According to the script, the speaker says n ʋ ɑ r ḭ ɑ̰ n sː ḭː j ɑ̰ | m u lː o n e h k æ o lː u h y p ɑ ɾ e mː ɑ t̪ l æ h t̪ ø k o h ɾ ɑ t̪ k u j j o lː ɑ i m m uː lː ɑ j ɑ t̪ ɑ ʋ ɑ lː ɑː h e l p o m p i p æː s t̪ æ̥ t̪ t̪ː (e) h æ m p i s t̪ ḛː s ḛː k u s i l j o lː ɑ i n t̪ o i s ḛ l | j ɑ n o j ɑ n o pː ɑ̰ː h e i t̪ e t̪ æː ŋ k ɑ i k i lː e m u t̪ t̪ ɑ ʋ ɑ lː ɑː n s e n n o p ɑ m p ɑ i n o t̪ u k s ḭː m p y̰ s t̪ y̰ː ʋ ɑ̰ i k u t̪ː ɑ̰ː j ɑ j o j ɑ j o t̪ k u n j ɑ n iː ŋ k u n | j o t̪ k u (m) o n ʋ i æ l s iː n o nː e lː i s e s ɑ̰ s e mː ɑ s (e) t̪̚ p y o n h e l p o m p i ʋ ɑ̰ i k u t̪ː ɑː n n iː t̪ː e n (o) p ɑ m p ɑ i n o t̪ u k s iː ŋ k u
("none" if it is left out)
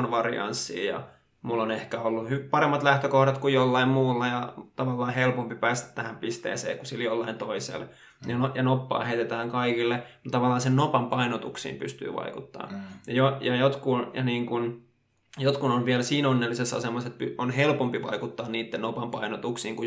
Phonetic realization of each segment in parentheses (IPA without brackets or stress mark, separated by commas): æ, n, e, o